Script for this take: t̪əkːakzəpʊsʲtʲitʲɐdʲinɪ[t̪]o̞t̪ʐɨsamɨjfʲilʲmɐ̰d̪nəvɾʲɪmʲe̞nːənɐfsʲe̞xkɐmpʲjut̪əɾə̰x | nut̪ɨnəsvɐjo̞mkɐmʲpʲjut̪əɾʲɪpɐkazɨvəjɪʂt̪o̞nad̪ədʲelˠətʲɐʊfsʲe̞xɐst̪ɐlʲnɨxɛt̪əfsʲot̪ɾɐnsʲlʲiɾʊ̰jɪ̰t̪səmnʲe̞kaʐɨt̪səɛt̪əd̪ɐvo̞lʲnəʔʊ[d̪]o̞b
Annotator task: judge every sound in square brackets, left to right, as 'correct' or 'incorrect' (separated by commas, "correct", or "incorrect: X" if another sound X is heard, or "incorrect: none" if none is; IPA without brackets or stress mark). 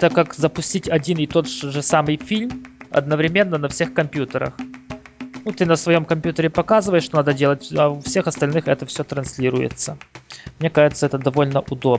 correct, correct